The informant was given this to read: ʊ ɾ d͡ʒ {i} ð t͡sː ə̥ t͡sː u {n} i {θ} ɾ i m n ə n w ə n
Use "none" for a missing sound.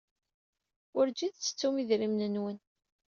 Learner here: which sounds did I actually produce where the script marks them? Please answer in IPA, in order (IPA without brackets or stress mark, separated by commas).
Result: i, m, ð